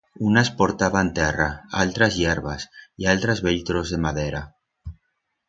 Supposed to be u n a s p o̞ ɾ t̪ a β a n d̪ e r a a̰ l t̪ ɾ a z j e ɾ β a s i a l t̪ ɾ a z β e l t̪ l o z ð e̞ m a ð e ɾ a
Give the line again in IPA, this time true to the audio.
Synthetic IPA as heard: u n a s p o̞ ɾ t̪ a β a n t̪ e r a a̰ l t̪ ɾ a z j e ɾ β a s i a l t̪ ɾ a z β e l t̪ ɾ o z ð e̞ m a ð e ɾ a